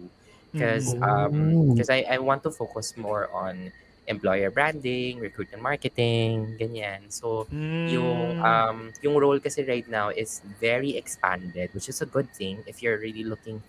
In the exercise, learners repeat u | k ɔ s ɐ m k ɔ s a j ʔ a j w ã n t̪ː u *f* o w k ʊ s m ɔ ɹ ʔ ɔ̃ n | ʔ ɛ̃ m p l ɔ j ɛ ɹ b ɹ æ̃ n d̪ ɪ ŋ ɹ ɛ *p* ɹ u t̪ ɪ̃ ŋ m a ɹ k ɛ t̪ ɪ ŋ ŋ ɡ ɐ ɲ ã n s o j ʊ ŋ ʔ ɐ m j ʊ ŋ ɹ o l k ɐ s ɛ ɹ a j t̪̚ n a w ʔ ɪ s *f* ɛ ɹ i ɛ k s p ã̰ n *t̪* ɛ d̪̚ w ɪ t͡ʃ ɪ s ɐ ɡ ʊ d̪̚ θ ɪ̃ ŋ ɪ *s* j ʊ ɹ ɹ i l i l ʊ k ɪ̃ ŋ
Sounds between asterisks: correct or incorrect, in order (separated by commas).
correct, incorrect, incorrect, incorrect, incorrect